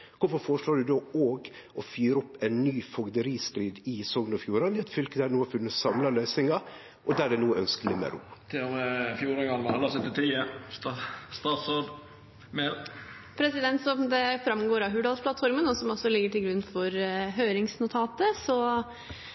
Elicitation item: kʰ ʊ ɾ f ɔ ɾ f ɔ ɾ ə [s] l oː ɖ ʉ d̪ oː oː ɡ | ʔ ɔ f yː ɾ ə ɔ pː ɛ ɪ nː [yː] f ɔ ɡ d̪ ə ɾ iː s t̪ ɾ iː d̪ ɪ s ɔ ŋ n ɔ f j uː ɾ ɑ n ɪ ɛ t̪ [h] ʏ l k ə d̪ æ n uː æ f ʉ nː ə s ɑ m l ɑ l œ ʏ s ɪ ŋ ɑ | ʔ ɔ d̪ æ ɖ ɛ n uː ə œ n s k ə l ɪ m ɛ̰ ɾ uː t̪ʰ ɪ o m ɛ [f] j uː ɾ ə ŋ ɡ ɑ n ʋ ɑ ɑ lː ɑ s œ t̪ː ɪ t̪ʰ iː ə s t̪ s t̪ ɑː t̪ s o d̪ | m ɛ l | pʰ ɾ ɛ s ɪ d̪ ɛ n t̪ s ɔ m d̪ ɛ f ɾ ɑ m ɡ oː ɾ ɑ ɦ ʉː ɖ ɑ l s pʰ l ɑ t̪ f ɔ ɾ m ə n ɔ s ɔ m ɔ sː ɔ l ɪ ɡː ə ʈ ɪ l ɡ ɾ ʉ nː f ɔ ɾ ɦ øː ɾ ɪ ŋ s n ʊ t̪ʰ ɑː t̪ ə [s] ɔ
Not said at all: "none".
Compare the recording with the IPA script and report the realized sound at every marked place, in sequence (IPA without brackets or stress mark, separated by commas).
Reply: ʂ, yː, f, f, s